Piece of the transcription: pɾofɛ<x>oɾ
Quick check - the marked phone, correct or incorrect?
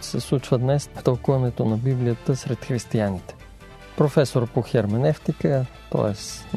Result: incorrect